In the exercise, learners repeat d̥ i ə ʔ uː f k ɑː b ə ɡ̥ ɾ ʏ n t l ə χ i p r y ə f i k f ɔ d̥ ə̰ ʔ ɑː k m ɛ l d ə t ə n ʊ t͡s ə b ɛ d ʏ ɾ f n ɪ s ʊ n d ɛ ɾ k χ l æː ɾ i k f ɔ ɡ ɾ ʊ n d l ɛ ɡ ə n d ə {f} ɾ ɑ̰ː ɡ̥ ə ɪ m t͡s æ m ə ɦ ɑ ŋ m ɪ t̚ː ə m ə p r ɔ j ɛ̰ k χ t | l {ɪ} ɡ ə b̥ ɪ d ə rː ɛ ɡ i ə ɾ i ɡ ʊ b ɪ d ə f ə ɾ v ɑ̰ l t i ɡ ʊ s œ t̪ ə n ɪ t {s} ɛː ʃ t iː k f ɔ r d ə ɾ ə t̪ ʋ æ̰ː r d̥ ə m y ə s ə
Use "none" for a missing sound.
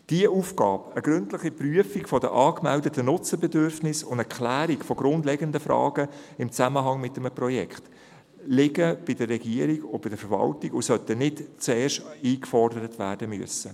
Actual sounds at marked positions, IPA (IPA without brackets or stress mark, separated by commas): f, ɪ, t͡s